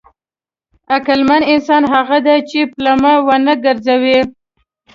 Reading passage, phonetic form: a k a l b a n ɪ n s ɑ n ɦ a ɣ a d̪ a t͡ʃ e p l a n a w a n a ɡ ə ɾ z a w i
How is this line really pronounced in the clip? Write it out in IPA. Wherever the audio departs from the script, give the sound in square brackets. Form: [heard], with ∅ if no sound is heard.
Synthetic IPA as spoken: a k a l [m] a n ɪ n s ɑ n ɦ a ɣ a d̪ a t͡ʃ e p l a [m] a w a n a ɡ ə ɾ z a w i